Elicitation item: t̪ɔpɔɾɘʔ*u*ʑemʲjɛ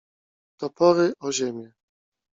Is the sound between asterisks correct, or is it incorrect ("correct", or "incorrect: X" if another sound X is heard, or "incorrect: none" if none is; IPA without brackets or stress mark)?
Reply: incorrect: ɔ